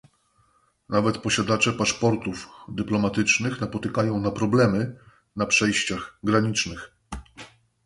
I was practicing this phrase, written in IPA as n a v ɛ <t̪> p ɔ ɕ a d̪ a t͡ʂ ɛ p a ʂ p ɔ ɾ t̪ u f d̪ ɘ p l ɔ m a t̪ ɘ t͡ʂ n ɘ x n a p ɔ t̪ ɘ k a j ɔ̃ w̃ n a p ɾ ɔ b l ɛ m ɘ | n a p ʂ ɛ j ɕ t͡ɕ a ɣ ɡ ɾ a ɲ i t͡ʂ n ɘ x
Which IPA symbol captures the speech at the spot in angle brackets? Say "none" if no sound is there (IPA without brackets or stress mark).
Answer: t̪